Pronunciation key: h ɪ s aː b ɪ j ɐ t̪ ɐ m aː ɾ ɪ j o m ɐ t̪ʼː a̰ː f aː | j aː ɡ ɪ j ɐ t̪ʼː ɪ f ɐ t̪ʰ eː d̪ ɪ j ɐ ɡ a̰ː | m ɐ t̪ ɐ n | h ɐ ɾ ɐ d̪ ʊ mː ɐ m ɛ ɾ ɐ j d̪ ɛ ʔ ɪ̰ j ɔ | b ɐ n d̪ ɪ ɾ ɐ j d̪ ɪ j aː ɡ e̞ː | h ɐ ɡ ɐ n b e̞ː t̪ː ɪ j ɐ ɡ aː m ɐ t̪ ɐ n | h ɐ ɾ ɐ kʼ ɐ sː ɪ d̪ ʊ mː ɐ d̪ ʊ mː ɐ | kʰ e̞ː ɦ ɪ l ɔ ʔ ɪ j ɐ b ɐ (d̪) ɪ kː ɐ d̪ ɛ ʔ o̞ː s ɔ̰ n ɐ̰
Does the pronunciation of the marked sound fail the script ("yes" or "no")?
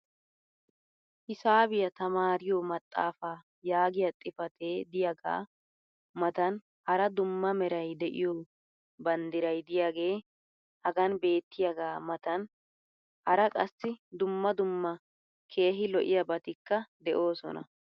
yes